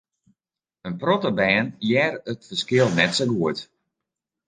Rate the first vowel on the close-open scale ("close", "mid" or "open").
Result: mid